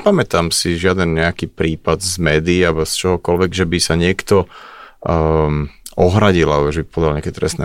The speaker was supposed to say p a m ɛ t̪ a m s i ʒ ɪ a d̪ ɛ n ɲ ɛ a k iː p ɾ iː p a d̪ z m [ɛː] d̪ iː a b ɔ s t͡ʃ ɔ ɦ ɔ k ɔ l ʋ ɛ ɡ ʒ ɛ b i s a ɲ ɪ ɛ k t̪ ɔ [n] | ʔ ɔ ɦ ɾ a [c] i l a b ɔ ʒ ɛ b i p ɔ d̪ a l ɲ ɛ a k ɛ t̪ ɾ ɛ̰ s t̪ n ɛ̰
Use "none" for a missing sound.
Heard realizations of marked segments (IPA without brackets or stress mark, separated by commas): ɛː, none, ɟ